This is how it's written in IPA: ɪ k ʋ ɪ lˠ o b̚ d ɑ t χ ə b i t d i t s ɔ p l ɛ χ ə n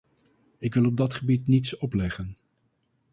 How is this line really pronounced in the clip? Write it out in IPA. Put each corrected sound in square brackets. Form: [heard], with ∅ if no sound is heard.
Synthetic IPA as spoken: ɪ k ʋ ɪ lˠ [ɔ] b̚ d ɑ t χ ə b i t [n] i t s ɔ p l ɛ χ ə n